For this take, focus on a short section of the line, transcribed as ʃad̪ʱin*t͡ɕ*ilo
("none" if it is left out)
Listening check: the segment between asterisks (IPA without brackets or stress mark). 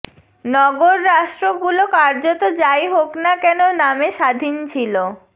t͡ɕʰ